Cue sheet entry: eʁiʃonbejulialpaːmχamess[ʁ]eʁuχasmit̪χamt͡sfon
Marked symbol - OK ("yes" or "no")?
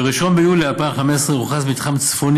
yes